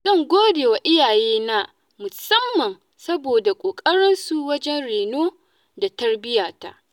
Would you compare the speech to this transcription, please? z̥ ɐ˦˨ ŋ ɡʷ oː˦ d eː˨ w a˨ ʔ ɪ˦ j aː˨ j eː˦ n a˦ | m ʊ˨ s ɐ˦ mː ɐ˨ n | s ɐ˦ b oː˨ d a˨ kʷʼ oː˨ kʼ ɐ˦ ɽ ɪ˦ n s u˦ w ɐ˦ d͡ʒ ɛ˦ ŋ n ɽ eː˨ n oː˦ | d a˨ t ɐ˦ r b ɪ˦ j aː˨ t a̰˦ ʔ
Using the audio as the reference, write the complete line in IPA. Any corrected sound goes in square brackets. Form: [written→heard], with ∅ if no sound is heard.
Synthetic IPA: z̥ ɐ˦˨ ŋ ɡʷ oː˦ d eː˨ w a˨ ʔ ɪ˦ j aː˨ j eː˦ n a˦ | m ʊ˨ s ɐ˦ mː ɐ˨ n | s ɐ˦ b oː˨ d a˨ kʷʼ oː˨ kʼ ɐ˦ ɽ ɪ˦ n s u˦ w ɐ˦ d͡ʒ ɛ˦ [ŋ→∅] n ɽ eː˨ n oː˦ | d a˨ t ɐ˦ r b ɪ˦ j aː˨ t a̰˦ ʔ